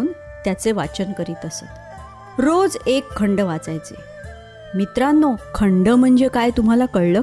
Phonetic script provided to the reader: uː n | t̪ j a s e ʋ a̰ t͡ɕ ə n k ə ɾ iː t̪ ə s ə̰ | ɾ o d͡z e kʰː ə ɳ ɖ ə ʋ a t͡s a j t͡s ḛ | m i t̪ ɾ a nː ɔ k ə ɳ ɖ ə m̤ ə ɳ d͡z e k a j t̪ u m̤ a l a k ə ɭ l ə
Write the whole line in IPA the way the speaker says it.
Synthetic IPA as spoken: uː n | t̪ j a t͡s e ʋ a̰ t͡ɕ ə n k ə ɾ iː t̪ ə s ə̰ | ɾ o d͡z e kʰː ə ɳ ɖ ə ʋ a t͡s a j t͡s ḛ | m i t̪ ɾ a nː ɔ kʰ ə ɳ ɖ ə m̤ ə ɳ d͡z e k a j t̪ u m̤ a l a k ə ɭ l ə